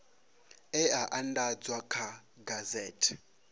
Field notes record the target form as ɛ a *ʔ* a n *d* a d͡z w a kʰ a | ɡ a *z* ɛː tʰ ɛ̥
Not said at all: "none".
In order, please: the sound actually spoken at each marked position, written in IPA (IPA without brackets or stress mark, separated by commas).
ʔ, d, z